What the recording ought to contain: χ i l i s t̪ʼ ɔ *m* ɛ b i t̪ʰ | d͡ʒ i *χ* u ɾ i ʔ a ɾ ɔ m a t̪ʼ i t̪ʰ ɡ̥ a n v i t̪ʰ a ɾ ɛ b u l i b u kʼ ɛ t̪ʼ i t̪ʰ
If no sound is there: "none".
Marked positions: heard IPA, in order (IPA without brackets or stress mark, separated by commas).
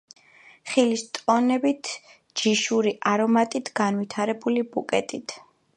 n, ʃ